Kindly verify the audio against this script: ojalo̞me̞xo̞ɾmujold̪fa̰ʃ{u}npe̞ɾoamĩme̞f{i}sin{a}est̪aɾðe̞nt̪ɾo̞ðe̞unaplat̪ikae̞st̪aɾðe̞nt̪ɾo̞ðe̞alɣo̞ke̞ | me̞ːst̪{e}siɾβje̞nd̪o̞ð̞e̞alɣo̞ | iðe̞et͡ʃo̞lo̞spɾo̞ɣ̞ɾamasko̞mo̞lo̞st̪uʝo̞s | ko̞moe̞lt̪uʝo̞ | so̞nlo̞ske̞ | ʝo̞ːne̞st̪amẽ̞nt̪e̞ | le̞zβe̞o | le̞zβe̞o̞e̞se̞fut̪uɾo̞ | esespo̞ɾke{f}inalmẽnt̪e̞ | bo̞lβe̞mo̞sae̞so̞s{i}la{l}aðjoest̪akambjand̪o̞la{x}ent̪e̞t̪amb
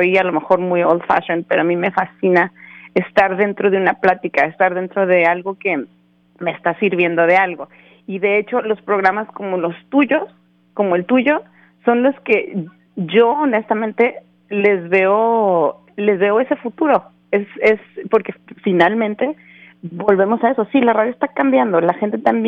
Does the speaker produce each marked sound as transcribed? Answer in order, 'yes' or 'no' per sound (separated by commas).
no, no, yes, no, yes, yes, no, yes